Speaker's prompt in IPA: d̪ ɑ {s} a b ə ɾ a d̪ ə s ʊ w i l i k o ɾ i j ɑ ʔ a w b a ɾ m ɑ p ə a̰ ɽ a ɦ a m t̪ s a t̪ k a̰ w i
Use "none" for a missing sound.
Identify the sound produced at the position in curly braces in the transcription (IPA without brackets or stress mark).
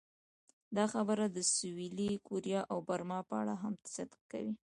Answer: x